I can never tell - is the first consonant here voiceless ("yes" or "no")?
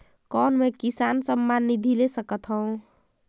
yes